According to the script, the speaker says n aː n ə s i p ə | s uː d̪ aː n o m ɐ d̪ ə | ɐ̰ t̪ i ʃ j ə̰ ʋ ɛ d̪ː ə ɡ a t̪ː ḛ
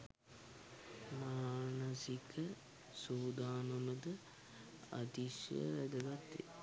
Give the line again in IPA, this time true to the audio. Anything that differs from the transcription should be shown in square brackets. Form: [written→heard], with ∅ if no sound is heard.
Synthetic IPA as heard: [n→m] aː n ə s i [p→k] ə | s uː d̪ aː n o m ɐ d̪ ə | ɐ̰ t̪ i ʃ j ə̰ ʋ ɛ [d̪ː→d̪] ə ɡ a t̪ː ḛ